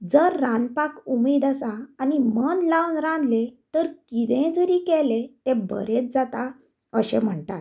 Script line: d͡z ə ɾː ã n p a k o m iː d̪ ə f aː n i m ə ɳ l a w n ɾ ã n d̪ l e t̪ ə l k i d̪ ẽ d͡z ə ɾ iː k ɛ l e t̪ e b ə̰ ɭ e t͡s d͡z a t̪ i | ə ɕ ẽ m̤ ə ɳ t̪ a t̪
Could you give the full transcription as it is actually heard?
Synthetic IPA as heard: d͡z ə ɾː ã n p a k u m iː d̪ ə s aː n i m ə n l a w n ɾ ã n d̪ l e t̪ ə ɾ k i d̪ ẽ d͡z ə ɾ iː k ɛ l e t̪ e b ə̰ ɾ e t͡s d͡z a t̪ a | ə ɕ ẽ m̤ ə ɳ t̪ a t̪